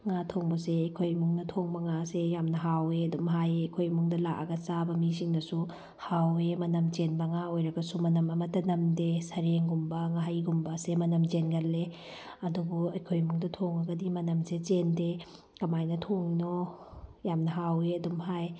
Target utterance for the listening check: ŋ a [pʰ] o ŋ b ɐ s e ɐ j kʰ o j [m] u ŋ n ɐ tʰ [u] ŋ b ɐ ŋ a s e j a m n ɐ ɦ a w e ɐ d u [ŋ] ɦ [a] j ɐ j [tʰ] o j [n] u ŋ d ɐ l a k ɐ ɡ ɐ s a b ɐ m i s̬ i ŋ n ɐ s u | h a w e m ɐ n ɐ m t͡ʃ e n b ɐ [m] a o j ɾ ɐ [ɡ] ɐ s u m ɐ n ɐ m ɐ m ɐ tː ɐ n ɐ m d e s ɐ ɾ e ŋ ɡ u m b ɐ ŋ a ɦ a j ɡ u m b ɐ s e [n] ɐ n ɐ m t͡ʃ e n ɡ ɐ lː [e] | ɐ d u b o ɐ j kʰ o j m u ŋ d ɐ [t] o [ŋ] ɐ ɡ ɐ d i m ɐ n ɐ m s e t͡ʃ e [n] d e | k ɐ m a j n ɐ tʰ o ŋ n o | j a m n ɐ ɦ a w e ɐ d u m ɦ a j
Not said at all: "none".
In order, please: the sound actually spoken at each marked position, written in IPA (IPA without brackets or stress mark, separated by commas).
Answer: tʰ, m, o, m, a, kʰ, m, ŋ, ɡ, m, e, tʰ, ŋ, n